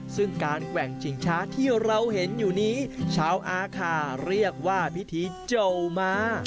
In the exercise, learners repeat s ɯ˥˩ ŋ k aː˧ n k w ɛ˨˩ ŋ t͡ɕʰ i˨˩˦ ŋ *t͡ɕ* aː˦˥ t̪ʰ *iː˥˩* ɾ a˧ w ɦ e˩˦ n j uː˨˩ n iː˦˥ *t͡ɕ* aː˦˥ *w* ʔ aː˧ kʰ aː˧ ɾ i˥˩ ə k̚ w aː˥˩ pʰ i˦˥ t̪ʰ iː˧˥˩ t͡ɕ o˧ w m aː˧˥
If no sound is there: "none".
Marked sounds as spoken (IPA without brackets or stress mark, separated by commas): t͡ɕʰ, iː˥˩, t͡ɕʰ, w